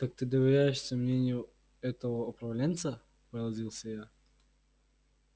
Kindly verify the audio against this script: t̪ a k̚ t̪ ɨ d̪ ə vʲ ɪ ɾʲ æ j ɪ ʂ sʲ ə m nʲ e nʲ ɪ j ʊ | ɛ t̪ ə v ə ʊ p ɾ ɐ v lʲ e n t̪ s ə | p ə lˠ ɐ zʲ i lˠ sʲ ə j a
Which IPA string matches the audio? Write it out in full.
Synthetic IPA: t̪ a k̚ t̪ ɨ d̪ ə vʲ ɪ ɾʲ æ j ɪ ʂ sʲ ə m nʲ e nʲ ɪ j ʊ | ɛ t̪ ə v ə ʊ p ɾ ɐ v lʲ e n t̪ s ə | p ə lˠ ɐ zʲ i lˠ sʲ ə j a